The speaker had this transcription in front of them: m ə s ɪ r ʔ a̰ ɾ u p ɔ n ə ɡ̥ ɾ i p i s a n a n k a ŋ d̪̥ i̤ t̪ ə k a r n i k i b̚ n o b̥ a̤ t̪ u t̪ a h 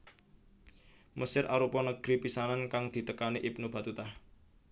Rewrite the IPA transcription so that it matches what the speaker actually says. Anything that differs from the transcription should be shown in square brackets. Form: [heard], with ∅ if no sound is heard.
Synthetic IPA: m ə s ɪ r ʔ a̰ ɾ u p ɔ n ə ɡ̥ ɾ i p i s a n a n k a ŋ d̪̥ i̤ t̪ ə k a [∅] n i [ʔ] i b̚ n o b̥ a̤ t̪ u t̪ a h